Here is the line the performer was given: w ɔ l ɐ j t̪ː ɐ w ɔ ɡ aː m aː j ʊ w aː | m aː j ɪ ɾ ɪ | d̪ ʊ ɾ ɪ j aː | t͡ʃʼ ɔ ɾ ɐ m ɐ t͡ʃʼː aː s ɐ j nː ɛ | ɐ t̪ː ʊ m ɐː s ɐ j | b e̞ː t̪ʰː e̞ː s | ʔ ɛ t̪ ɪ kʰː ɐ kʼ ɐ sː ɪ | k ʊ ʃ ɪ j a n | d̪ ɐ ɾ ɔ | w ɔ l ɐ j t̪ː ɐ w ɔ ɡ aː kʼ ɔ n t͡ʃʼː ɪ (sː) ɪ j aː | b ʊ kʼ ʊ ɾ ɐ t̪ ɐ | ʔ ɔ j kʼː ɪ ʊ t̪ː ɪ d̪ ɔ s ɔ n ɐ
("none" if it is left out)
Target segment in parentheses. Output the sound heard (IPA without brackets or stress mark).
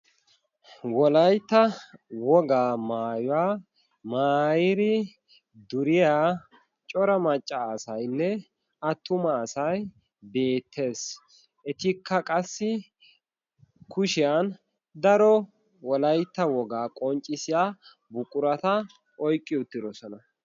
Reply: s